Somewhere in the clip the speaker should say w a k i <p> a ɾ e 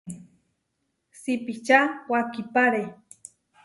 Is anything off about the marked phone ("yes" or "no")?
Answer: no